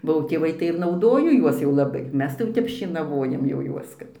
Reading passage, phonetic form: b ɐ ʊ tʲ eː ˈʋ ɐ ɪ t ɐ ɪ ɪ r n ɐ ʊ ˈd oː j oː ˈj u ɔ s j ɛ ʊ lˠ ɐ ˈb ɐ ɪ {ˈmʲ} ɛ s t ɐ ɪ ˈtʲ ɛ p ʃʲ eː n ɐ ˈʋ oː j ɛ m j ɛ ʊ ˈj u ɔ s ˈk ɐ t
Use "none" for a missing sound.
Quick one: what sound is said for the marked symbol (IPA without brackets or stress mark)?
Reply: mʲ